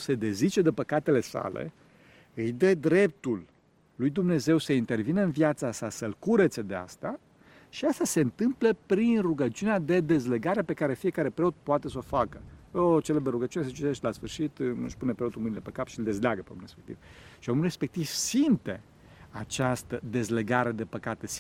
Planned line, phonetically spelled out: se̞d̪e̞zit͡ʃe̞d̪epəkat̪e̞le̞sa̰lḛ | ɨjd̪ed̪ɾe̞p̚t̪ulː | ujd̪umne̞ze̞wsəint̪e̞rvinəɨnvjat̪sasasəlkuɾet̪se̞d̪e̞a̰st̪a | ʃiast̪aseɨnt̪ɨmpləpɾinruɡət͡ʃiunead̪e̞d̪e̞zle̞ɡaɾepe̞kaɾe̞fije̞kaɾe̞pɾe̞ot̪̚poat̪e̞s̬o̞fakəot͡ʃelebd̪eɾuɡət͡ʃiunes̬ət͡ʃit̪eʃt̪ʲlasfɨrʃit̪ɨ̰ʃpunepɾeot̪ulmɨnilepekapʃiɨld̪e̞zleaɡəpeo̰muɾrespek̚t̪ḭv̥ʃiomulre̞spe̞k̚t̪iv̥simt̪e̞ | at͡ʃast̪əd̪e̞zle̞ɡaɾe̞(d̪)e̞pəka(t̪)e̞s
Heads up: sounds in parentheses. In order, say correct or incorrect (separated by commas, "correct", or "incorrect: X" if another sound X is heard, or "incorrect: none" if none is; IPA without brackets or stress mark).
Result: correct, correct